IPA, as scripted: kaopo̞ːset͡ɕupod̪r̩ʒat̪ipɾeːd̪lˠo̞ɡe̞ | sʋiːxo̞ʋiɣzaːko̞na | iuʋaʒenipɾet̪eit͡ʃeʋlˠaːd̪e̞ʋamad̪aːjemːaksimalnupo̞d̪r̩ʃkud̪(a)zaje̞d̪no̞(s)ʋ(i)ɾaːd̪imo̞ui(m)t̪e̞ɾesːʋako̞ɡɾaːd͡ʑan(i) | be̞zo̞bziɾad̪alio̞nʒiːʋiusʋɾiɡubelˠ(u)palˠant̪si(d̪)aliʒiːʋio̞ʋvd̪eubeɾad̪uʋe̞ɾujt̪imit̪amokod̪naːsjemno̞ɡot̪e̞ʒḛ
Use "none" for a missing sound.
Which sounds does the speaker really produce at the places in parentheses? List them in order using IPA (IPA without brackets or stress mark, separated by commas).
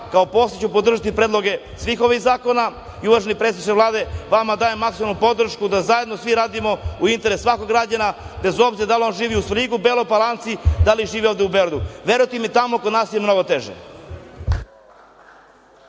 a, s, i, n, a, o, d̪